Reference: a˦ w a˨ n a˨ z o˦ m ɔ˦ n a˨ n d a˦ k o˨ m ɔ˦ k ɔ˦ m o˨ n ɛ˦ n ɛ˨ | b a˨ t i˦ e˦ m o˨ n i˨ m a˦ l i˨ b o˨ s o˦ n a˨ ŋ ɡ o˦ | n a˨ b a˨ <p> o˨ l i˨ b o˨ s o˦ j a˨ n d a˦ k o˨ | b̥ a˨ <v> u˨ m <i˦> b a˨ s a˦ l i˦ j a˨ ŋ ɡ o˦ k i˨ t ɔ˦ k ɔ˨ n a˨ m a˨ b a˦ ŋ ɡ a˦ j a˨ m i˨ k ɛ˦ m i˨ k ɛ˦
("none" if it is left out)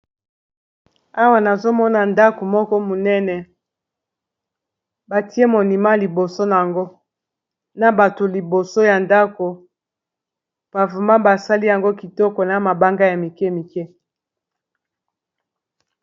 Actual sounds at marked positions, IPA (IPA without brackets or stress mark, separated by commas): t, v, a˦